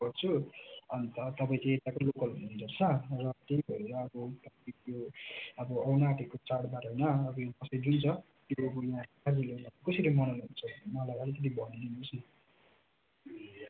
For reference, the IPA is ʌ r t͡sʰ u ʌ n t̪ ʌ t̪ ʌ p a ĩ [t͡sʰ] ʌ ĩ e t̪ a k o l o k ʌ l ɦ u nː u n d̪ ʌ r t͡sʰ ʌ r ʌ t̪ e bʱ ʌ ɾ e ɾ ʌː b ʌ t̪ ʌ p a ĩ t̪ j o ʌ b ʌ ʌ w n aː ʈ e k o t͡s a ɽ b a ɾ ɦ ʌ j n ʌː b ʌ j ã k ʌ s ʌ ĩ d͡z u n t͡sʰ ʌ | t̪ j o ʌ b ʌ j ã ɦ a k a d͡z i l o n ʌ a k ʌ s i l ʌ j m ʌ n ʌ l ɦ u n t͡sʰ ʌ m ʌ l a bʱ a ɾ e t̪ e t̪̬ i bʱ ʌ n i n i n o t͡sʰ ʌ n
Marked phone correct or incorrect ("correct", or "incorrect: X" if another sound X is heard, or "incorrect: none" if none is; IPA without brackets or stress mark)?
incorrect: t͡s